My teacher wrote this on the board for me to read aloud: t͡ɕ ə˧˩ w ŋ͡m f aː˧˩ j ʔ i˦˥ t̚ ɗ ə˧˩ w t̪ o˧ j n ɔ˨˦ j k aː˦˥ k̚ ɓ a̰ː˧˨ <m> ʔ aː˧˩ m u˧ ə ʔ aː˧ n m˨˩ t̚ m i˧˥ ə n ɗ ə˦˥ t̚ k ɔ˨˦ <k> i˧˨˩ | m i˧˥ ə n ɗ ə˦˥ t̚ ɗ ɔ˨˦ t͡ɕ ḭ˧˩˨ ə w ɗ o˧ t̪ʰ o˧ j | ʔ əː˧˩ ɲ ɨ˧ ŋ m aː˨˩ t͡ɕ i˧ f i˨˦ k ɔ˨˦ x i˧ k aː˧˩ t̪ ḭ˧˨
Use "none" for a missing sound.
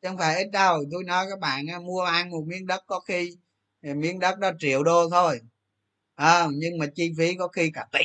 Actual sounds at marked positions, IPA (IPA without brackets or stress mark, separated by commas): n, x